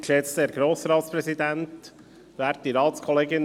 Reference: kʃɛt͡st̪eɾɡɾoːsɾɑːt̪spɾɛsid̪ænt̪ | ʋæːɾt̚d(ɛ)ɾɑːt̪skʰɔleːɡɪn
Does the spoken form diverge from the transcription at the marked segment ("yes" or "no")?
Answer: yes